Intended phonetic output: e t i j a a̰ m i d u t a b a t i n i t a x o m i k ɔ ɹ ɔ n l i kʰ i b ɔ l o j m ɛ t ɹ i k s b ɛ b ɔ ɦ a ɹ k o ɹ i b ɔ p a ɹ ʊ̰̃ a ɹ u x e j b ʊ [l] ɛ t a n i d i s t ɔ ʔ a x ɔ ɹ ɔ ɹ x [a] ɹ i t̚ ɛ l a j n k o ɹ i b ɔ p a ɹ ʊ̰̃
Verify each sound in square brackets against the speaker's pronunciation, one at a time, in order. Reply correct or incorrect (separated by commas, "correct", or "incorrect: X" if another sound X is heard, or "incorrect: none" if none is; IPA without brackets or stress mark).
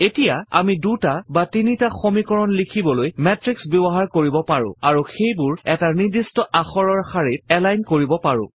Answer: incorrect: ɹ, correct